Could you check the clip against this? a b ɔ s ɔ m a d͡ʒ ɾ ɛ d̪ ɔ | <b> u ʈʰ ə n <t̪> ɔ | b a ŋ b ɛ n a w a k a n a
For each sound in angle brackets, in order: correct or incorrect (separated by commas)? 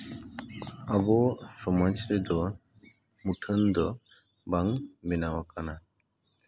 incorrect, incorrect